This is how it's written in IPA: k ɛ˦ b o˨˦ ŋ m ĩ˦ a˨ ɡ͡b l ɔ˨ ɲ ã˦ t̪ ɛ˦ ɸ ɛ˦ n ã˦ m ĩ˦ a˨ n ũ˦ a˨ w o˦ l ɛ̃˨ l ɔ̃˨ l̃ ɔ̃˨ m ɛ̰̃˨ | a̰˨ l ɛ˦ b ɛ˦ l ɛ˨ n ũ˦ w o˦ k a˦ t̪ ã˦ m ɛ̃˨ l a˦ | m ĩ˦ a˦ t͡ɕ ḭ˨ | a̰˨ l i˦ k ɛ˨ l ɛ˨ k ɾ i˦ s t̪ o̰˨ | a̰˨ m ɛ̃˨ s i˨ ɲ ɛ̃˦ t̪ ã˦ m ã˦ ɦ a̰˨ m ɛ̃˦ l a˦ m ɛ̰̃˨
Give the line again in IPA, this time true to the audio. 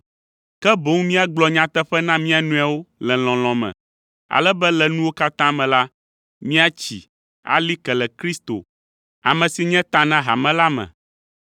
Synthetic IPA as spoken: k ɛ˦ b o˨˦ ŋ m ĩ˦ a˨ ɡ͡b l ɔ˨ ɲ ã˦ t̪ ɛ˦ ɸ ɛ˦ n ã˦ m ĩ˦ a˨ n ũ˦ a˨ w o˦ l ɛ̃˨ l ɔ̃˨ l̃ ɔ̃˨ m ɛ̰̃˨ | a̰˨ l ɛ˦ b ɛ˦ l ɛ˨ n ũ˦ w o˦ k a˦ t̪ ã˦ m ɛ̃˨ l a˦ | m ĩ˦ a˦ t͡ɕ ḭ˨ | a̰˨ l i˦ k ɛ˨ l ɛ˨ k ɾ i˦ s t̪ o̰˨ | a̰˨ m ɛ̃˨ s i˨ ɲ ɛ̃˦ t̪ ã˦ n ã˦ ɦ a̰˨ m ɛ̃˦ l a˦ m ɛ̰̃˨

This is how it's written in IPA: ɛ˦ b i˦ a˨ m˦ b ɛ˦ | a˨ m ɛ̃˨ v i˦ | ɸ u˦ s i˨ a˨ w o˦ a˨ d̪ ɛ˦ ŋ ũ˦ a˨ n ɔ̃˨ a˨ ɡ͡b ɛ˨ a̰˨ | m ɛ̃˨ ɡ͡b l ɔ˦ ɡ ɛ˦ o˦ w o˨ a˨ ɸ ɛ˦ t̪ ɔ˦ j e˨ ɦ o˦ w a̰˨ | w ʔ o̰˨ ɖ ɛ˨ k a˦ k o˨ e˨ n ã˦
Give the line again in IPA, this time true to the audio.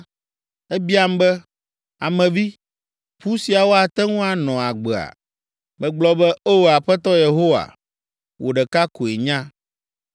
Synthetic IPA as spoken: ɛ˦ b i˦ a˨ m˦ b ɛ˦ | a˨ m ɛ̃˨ v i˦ | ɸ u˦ s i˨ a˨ w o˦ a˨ t̪ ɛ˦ ŋ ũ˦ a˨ n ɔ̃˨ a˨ ɡ͡b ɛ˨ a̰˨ | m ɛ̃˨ ɡ͡b l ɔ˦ b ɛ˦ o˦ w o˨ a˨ ɸ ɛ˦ t̪ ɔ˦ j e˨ ɦ o˦ w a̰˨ | w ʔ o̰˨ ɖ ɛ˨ k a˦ k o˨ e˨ ɲ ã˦

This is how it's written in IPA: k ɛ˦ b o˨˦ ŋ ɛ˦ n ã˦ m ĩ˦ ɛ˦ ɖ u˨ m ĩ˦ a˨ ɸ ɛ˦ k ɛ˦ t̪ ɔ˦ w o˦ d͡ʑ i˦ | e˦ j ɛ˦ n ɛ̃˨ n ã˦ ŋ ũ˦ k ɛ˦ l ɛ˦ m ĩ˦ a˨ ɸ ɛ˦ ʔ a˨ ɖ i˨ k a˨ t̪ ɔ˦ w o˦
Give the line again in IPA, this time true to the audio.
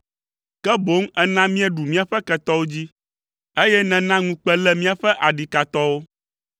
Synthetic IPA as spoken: k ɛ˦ b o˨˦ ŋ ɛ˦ n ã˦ m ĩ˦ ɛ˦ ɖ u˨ m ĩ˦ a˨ ɸ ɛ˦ k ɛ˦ t̪ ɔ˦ w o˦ d͡ʑ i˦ | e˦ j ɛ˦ n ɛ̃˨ n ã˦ ŋ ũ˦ k͡p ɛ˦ l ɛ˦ m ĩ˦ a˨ ɸ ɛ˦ ʔ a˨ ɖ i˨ k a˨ t̪ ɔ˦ w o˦

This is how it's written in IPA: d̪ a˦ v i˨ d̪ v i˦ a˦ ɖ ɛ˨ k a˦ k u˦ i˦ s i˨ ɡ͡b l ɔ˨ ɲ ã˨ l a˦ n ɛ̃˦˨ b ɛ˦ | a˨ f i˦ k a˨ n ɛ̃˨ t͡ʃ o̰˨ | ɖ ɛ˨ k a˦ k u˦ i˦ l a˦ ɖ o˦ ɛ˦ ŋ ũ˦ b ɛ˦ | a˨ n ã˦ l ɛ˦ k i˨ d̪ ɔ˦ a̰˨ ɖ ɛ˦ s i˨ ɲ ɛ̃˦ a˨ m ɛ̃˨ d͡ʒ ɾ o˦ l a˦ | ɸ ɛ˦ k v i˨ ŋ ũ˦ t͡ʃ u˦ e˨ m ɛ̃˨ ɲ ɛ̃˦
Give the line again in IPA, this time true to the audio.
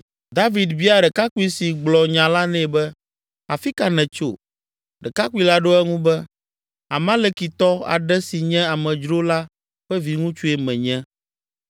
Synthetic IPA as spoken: d̪ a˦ v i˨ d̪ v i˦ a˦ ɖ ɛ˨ k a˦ k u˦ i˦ s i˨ ɡ͡b l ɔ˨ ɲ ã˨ l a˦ n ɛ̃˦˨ b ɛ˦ | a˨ f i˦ k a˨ n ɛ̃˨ t͡ʃ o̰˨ | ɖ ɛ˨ k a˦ k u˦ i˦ l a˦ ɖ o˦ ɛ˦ ŋ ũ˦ b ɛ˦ | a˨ m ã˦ l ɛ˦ k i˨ t̪ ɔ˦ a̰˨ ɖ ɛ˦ s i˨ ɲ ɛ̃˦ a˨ m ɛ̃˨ d͡ʒ ɾ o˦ l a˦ | ɸ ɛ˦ v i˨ ŋ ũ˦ t͡ʃ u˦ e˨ m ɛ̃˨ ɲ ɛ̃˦

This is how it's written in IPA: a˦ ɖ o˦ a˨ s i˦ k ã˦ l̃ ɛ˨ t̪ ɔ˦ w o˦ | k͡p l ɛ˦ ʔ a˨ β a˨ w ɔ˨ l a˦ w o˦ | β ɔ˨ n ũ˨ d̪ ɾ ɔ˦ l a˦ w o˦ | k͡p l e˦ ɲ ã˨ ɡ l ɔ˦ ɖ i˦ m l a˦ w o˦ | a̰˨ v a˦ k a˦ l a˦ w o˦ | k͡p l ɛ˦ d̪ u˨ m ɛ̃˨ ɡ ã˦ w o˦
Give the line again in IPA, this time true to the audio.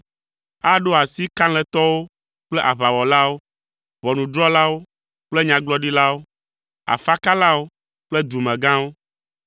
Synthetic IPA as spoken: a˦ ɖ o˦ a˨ s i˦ k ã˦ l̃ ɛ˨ t̪ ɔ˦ w o˦ | k͡p l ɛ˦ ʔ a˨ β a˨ w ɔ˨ l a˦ w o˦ | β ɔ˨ n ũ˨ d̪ ɾ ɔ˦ l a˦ w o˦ | k͡p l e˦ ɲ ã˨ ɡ l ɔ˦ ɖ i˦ l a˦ w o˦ | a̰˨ f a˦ k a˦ l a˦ w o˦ | k͡p l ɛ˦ d̪ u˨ m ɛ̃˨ ɡ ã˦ w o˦

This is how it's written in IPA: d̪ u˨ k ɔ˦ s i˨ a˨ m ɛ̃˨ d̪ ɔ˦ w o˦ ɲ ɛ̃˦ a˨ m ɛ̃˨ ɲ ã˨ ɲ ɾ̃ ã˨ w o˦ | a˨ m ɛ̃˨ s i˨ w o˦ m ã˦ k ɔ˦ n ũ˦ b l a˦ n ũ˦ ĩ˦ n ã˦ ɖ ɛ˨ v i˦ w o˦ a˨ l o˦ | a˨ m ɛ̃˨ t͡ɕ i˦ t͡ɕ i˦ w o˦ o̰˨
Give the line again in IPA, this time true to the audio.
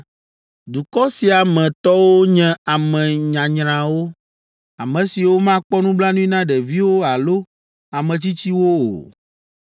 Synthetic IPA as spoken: d̪ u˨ k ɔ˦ s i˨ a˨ m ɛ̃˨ t̪ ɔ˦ w o˦ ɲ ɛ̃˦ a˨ m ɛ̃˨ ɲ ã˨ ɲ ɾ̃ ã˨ w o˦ | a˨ m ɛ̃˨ s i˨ w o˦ m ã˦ k͡p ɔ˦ n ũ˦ b l a˦ n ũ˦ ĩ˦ n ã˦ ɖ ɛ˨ v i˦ w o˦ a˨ l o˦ | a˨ m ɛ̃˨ t͡ɕ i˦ t͡ɕ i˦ w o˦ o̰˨

